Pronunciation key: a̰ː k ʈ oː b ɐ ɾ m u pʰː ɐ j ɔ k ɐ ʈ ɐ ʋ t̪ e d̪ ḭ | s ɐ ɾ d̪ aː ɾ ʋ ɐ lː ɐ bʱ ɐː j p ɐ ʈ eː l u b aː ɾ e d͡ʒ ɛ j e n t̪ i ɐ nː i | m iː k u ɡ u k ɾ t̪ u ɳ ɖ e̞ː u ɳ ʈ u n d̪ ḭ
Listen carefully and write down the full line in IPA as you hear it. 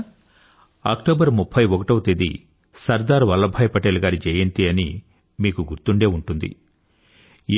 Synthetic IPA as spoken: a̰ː k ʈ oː b ɐ ɾ m u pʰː ɐ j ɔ k ɐ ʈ ɐ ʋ t̪ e d̪ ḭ | s ɐ ɾ d̪ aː ɾ ʋ ɐ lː ɐ bʱ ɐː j p ɐ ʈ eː l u ɡ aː ɾ i d͡ʒ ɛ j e n t̪ i ɐ n i | m iː k u ɡ u ɾ t̪ u ɳ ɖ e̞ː u ɳ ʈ u n d̪ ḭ